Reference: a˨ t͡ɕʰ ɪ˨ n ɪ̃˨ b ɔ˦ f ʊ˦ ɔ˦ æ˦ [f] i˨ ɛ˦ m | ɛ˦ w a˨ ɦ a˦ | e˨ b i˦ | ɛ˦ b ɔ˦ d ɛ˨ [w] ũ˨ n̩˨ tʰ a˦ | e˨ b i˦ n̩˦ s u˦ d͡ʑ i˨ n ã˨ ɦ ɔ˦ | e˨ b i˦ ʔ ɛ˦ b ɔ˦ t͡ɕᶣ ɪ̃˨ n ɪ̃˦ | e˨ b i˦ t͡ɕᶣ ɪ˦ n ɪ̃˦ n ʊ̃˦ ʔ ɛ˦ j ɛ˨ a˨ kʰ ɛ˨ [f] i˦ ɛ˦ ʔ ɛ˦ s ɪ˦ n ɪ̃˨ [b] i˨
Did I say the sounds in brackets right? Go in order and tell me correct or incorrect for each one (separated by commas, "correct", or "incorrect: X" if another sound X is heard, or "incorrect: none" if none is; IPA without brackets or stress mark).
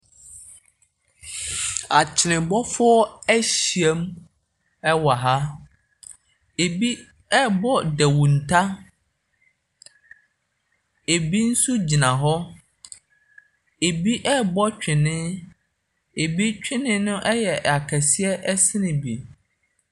incorrect: ɕ, correct, incorrect: s, correct